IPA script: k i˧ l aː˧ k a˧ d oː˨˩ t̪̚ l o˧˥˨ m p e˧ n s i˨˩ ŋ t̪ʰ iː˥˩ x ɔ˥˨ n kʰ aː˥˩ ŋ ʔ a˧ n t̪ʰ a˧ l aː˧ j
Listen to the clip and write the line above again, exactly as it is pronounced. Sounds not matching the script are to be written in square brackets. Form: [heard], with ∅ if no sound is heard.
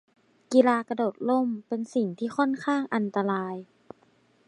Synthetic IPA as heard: k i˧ l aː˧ k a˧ d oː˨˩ t̪̚ l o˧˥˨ m p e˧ n s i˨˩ ŋ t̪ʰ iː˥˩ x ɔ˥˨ n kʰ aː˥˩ ŋ ʔ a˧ n [t̪] a˧ l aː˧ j